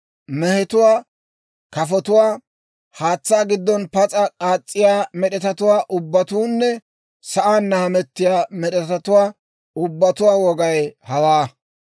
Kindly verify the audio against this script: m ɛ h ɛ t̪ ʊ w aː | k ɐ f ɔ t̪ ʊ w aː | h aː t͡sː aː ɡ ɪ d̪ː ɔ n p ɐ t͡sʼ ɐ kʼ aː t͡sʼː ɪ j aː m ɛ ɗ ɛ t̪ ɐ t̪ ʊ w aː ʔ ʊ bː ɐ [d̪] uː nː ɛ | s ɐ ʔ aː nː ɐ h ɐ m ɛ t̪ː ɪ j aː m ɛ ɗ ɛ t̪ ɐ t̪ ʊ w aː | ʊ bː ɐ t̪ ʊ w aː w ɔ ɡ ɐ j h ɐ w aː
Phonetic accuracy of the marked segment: incorrect: t̪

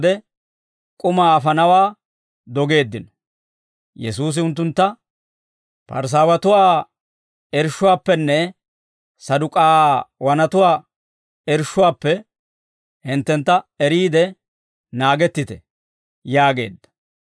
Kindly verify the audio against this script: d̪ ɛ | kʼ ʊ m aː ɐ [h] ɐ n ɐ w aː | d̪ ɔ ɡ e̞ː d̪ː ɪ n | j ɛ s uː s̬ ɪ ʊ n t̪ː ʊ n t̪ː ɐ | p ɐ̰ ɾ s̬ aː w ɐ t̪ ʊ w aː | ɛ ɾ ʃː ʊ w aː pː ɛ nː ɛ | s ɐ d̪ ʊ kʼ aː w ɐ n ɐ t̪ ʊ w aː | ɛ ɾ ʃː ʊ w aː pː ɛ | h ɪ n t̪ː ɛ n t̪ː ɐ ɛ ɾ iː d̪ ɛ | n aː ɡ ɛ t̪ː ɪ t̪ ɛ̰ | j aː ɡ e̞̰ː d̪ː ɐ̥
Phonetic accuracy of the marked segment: incorrect: f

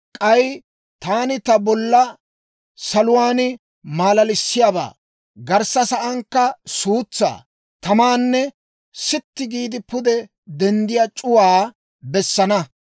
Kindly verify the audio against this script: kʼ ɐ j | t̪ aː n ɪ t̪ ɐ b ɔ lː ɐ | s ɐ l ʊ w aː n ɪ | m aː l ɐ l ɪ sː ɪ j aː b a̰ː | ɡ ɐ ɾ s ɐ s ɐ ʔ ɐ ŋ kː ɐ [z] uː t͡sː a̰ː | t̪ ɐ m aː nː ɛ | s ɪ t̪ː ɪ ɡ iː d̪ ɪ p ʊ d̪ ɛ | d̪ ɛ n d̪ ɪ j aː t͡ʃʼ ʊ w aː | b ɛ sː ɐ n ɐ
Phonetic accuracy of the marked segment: incorrect: s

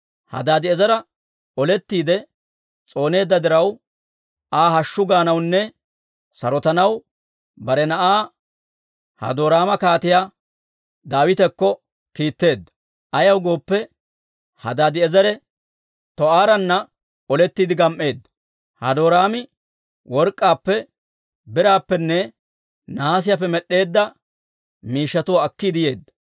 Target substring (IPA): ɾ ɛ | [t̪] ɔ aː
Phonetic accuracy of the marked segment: correct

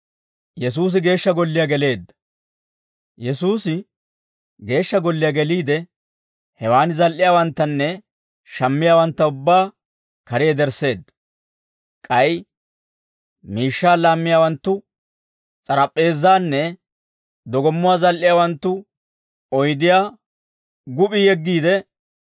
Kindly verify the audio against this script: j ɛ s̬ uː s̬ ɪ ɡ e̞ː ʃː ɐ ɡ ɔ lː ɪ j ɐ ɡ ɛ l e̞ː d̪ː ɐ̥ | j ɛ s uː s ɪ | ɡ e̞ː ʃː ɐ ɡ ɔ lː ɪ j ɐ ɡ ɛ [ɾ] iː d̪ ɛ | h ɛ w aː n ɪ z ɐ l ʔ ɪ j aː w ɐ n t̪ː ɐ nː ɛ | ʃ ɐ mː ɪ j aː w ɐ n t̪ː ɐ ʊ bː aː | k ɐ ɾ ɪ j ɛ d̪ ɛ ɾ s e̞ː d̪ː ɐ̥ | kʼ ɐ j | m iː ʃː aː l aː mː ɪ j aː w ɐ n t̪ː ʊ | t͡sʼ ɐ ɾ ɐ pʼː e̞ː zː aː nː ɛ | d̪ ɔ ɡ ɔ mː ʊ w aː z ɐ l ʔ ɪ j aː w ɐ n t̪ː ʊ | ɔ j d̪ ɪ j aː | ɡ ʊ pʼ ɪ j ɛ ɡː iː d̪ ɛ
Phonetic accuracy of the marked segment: incorrect: l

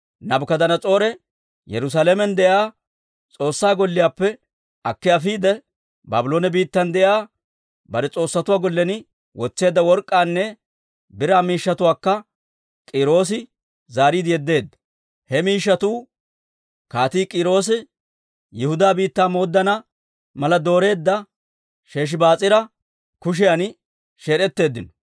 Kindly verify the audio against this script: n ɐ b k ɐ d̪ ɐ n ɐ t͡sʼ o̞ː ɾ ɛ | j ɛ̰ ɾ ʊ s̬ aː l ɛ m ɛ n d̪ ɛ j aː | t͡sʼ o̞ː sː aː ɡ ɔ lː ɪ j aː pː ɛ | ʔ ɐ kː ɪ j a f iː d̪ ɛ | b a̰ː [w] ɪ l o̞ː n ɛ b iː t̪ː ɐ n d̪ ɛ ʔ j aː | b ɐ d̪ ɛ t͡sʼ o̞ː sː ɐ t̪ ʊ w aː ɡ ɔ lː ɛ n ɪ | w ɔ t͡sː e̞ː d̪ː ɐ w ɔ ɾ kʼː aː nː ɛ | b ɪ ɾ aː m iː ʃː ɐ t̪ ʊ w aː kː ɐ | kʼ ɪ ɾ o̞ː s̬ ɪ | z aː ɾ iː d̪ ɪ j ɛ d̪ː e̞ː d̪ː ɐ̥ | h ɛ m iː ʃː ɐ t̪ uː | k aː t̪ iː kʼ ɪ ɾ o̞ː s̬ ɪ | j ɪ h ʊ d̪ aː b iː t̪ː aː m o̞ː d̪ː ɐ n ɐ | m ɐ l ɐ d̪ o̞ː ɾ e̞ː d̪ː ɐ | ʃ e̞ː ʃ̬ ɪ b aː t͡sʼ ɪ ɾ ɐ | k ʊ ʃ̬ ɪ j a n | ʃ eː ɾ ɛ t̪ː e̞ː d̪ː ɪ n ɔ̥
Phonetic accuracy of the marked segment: incorrect: b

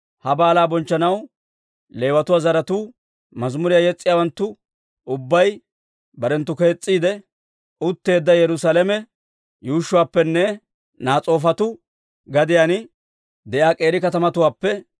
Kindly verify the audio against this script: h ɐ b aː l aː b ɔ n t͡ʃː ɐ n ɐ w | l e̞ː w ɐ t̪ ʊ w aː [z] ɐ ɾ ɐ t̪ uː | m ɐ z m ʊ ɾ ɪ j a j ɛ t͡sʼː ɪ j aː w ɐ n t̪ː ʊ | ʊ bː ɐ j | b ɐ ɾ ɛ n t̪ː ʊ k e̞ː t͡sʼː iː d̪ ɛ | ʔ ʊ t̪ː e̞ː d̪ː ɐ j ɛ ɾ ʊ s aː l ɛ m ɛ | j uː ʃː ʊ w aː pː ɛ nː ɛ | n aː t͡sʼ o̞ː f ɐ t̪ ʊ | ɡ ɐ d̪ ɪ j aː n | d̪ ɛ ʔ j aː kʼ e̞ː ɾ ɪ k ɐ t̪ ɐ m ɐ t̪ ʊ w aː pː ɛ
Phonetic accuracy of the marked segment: correct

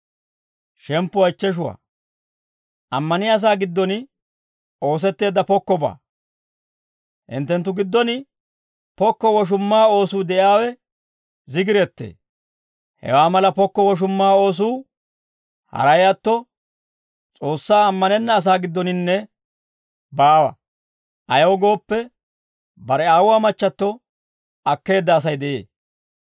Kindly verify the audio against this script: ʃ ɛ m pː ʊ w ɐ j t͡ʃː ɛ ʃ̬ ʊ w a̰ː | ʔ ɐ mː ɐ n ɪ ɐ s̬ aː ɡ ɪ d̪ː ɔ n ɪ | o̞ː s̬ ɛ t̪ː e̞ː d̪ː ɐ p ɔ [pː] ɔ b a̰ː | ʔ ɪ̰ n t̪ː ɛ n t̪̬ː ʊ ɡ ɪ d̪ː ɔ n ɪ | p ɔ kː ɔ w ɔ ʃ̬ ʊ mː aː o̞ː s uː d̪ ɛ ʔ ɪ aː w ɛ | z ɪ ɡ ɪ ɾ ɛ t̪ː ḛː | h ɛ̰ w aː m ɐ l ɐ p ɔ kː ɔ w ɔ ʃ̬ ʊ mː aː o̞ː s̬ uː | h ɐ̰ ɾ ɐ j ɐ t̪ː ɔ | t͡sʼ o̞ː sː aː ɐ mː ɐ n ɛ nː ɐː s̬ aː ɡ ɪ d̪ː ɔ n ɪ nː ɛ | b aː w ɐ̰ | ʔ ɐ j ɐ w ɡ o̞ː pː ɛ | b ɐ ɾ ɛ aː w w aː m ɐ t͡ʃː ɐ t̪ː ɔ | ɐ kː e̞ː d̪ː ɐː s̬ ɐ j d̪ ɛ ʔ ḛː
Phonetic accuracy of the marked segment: incorrect: kː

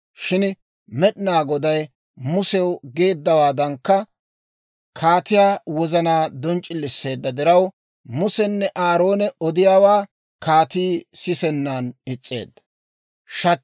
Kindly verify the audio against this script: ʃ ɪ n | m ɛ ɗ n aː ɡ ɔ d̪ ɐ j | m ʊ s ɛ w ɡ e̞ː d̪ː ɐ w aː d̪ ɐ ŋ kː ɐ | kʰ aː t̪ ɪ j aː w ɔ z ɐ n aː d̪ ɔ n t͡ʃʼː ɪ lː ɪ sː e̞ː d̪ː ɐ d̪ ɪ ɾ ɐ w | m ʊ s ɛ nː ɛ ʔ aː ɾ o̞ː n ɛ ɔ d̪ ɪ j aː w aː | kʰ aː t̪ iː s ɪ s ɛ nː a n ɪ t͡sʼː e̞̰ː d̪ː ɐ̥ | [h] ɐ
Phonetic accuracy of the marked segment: incorrect: ʃ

